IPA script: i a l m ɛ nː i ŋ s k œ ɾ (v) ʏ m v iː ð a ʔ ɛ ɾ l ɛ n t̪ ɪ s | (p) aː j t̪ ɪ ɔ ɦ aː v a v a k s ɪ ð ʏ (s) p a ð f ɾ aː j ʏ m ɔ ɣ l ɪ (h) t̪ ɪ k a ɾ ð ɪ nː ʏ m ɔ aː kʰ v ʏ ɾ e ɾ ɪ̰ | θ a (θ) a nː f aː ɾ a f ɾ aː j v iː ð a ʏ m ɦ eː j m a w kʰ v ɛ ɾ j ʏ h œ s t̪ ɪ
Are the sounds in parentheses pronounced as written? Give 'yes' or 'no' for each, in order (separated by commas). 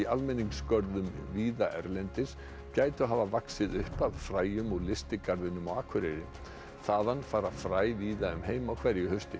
no, no, no, no, no